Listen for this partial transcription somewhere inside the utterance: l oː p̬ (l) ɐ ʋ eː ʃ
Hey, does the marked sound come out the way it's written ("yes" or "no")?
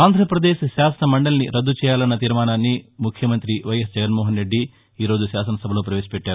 no